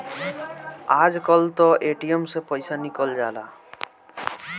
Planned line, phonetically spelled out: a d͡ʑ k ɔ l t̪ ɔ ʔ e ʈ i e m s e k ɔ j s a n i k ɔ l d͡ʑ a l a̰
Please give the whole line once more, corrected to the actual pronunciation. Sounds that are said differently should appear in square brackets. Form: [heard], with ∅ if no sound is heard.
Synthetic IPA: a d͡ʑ k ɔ l t̪ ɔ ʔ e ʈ i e m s e [p] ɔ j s a n i k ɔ l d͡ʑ a l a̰